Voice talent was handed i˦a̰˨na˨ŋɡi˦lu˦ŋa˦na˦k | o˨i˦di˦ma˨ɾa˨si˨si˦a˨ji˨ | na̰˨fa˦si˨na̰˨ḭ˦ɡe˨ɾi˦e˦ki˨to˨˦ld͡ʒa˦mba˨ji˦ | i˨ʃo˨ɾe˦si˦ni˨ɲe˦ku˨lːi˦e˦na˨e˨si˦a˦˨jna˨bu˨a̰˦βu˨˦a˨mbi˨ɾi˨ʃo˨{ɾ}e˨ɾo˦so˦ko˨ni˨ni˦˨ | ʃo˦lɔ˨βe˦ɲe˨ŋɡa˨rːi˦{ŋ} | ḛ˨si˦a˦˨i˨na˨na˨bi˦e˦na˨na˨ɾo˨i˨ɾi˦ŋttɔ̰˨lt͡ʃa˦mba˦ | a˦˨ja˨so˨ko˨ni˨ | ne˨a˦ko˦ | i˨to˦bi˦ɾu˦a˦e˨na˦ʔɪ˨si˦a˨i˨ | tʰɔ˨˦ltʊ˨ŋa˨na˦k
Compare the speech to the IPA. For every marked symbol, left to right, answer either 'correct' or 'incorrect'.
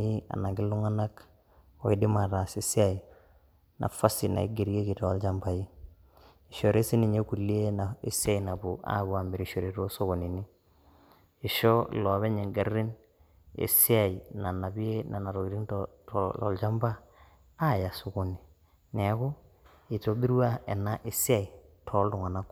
correct, incorrect

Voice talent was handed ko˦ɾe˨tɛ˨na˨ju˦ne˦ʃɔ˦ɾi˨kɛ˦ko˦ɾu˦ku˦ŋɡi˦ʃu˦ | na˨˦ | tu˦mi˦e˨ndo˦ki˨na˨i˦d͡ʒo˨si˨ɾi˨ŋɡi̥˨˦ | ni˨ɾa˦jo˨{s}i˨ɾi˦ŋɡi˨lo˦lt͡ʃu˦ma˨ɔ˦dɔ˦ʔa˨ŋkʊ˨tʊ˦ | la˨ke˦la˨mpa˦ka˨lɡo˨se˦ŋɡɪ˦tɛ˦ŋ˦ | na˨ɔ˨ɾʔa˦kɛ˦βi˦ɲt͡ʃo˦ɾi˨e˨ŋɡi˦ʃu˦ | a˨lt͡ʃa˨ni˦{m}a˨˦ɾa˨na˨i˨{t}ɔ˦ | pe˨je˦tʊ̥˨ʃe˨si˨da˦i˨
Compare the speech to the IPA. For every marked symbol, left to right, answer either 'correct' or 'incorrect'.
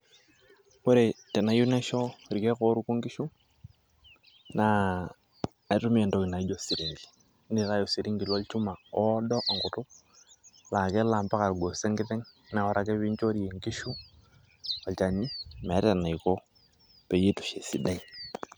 correct, correct, incorrect

